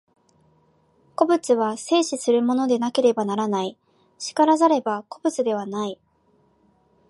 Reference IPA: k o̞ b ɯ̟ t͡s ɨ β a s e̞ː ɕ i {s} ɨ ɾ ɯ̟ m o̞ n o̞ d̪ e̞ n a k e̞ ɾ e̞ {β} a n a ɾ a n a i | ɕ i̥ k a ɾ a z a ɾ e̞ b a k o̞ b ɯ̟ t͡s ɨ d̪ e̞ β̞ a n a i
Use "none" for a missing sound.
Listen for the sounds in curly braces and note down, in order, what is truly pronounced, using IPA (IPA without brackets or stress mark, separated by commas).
s, b